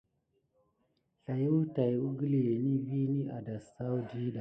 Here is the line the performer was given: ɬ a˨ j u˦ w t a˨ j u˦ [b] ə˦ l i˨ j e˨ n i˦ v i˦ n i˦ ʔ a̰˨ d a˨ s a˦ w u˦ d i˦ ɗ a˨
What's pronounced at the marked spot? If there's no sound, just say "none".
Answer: ɡ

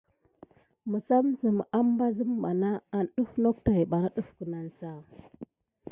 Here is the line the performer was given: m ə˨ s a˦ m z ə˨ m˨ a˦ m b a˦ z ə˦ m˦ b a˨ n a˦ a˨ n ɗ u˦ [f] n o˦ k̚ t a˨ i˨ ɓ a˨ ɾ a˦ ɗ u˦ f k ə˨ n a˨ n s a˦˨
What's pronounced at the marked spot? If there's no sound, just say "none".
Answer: f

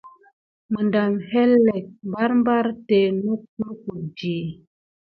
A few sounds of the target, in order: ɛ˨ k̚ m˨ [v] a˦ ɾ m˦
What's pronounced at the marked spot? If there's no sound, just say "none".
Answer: b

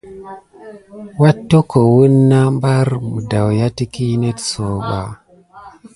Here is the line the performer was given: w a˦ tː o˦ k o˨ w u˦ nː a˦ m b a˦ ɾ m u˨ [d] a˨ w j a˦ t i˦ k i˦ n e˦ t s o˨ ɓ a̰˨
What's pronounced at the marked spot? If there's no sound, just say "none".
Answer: d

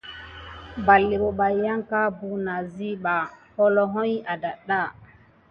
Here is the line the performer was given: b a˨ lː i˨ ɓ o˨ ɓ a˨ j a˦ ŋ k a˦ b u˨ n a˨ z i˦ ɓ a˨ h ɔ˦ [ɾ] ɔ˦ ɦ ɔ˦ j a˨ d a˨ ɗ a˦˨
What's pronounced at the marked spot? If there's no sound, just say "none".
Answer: l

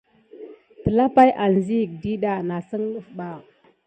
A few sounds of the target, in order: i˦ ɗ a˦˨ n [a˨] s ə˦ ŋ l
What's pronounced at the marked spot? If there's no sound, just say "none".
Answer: a˨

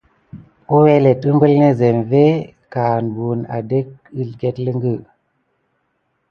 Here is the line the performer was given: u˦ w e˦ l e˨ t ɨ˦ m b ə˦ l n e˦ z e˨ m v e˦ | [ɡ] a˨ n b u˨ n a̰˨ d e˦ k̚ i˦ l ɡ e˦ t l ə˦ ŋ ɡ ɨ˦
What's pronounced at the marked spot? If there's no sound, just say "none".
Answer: k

